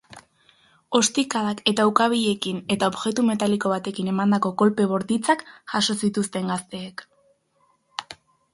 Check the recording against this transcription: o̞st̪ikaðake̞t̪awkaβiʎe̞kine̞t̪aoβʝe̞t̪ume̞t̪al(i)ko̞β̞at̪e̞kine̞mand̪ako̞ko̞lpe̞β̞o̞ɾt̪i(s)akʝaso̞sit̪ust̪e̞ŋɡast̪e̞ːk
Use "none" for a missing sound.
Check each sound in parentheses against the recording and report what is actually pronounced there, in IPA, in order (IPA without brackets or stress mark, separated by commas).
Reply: i, t͡s